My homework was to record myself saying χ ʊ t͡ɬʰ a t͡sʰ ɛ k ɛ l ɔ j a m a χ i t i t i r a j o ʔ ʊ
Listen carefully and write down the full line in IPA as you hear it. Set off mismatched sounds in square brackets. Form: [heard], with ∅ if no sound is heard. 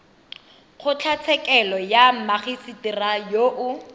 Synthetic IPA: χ ʊ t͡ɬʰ a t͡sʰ ɛ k ɛ l ɔ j a m a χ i [s] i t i r a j o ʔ ʊ

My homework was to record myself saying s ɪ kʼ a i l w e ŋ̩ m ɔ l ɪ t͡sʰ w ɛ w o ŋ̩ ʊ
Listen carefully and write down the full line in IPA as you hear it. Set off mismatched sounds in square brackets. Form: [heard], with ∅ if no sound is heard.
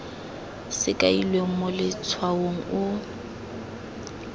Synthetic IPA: s ɪ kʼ a i l w e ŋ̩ m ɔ l ɪ t͡sʰ w [a] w o ŋ̩ ʊ

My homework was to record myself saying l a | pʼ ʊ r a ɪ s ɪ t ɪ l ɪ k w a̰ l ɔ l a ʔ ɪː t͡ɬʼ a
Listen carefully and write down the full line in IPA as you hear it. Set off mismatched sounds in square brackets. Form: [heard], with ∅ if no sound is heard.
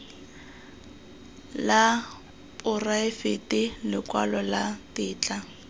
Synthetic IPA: l a | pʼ ʊ r a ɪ [f] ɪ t ɪ l ɪ k w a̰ l ɔ l a [t] ɪː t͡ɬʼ a

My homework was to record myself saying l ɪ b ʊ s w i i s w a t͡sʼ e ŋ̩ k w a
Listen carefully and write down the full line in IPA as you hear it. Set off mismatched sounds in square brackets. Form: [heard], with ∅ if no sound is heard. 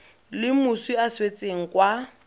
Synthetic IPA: l ɪ [m] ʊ s w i [a] s w [e] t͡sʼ e ŋ̩ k w a

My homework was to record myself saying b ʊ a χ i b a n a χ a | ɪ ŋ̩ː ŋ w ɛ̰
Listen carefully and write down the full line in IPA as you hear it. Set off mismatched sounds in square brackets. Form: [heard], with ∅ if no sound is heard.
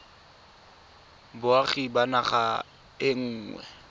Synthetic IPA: b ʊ a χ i b a n a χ a | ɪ ŋ̩ː ŋ w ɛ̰

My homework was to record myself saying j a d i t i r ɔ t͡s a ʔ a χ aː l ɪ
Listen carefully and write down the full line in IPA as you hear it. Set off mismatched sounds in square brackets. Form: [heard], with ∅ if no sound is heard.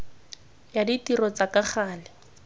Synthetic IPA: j a d i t i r ɔ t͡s a [k] a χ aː l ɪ

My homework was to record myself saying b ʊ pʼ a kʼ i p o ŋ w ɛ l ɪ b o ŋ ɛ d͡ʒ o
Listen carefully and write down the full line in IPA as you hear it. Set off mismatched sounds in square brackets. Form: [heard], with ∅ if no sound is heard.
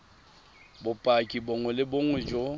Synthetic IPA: b ʊ pʼ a kʼ i [b] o ŋ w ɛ l ɪ b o ŋ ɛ d͡ʒ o

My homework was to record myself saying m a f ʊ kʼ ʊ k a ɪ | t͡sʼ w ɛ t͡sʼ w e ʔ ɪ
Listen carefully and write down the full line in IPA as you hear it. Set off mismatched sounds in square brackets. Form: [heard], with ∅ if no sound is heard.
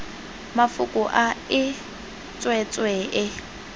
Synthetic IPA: m a f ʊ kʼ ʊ [ʔ] a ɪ | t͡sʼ w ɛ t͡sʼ w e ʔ ɪ

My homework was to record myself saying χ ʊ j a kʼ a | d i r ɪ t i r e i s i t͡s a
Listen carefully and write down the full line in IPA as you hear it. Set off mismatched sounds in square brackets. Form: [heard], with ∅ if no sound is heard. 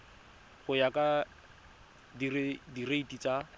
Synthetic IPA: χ ʊ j a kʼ a | d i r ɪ [d] i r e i [t] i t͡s a

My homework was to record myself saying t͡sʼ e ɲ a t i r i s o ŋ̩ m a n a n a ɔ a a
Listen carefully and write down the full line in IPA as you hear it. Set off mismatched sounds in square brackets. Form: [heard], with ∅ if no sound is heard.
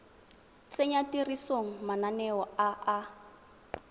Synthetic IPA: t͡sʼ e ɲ a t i r i s o ŋ̩ m a n a n [ɛ] ɔ a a

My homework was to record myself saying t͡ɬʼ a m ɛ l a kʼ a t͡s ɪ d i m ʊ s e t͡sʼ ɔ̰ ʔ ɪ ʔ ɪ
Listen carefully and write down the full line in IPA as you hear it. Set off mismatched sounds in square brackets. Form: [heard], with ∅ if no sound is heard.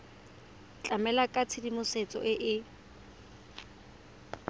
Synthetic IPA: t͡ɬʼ a m ɛ l a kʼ a [t͡sʰ] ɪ d i m ʊ s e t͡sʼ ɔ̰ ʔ ɪ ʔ ɪ

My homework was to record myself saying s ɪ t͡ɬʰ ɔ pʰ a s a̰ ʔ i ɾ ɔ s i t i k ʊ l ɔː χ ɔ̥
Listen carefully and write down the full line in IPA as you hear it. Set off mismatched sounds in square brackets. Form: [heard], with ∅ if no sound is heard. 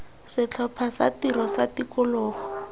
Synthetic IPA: s ɪ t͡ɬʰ ɔ pʰ a s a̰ [t] i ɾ ɔ s [a] t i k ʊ l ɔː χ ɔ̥

